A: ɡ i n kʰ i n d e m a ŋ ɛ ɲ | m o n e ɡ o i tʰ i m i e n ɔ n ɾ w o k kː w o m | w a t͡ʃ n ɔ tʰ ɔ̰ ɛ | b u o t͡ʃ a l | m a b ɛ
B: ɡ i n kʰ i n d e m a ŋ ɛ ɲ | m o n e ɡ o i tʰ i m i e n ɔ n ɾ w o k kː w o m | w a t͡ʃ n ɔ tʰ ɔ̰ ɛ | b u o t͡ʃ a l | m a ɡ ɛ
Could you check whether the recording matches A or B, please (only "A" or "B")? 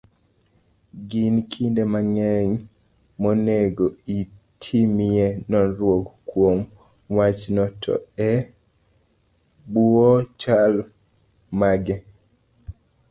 B